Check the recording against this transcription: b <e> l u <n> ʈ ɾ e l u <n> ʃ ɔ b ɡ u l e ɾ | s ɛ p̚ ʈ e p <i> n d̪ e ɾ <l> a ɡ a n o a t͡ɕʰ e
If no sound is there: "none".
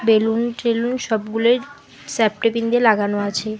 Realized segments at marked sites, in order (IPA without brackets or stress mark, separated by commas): e, n, n, i, l